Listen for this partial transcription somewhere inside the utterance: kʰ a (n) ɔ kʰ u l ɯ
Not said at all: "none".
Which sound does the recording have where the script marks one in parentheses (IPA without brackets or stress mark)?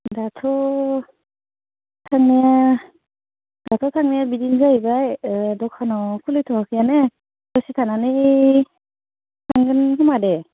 n